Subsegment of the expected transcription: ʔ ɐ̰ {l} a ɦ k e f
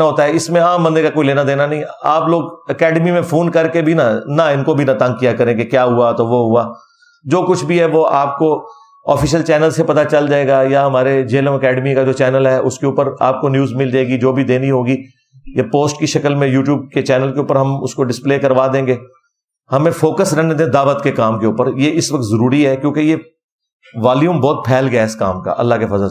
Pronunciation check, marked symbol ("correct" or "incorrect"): incorrect